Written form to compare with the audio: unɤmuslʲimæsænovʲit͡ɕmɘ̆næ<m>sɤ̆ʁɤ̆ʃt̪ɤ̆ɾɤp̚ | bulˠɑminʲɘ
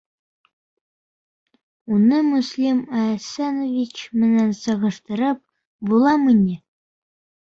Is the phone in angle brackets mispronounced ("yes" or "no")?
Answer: yes